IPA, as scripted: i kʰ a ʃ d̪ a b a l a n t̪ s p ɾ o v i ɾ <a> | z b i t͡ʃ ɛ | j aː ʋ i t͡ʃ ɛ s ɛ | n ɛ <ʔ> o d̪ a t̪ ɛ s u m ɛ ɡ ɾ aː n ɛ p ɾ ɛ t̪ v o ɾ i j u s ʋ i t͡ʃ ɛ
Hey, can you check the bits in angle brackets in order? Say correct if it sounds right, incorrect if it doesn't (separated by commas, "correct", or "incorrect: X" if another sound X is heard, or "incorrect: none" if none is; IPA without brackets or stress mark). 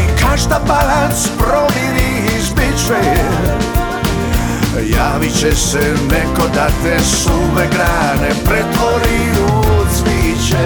incorrect: i, incorrect: k